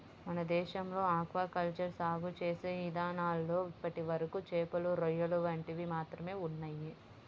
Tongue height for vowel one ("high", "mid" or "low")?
low